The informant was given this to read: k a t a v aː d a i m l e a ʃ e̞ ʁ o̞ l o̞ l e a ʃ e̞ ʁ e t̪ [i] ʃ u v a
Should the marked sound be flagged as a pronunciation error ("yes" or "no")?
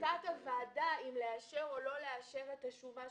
yes